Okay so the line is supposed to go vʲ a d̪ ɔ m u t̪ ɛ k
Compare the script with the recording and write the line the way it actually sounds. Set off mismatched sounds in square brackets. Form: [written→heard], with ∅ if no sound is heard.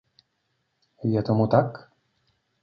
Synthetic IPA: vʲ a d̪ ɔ m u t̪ [ɛ→a] k